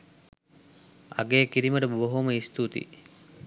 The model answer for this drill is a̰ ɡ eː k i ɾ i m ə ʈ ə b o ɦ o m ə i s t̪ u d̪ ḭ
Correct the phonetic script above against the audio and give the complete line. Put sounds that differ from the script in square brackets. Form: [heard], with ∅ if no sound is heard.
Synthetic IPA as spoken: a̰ ɡ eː k i ɾ i m ə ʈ ə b o ɦ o m ə i s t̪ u [t̪] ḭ